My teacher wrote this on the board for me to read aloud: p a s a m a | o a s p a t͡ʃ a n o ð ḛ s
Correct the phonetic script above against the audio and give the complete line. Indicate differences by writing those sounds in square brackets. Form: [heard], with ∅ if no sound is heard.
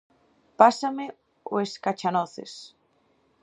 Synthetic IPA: p a s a m [e] | o [e] s [k] a t͡ʃ a n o [θ] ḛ s

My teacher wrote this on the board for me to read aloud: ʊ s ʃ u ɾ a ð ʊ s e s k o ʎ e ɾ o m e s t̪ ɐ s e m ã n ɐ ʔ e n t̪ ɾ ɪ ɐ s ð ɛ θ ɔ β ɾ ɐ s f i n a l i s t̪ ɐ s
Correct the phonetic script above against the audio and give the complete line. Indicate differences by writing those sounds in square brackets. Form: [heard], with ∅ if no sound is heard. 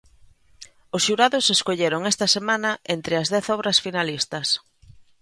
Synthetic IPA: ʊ s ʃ u ɾ a ð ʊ s e s k o ʎ e ɾ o [ŋ] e s t̪ ɐ s e m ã n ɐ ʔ e n t̪ ɾ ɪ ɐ [z] ð ɛ θ ɔ β ɾ ɐ s f i n a l i s t̪ ɐ s

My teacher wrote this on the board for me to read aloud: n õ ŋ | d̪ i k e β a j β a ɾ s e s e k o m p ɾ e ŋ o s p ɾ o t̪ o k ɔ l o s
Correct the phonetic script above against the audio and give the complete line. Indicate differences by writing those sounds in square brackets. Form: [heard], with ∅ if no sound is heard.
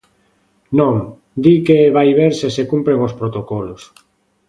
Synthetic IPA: n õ ŋ | d̪ i k e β a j β [e] ɾ s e s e k [u] m p ɾ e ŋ o s p ɾ o t̪ o k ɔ l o s

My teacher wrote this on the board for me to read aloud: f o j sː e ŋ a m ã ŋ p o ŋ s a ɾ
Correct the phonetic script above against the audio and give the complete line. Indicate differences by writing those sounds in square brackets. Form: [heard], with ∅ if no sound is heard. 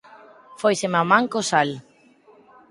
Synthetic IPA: f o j [s] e [m] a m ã ŋ [k] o [∅] s a [l]

